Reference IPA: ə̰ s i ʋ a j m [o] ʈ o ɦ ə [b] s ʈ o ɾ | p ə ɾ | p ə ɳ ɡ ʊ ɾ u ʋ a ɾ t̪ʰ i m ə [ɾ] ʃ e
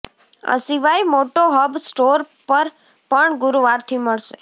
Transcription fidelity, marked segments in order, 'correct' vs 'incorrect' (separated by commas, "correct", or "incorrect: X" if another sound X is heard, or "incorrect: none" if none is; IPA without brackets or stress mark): correct, correct, incorrect: ɭ